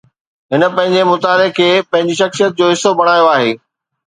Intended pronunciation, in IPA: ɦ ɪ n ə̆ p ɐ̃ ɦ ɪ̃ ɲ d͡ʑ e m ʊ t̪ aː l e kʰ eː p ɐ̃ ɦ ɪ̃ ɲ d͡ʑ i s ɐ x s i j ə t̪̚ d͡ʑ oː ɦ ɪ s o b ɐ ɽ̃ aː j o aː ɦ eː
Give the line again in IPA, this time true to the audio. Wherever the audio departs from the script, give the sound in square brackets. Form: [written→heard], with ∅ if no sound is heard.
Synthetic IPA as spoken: ɦ ɪ n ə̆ p ɐ̃ ɦ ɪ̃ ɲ d͡ʑ e m ʊ t̪ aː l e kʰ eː p ɐ̃ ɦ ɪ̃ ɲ d͡ʑ i [s→ʃ] ɐ x s i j ə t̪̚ d͡ʑ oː ɦ ɪ s o b ɐ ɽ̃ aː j o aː ɦ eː